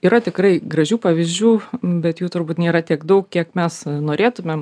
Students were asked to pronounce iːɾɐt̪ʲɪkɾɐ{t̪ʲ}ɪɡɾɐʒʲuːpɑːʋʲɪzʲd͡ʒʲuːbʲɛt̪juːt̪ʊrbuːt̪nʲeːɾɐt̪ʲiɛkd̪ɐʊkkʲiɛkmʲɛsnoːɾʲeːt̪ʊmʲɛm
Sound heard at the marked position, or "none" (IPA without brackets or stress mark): none